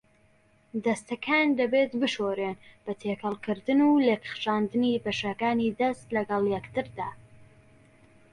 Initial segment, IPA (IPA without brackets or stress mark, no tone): d̪